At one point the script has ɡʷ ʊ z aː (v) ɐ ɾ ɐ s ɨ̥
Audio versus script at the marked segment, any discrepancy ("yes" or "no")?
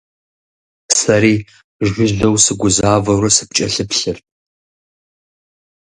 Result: no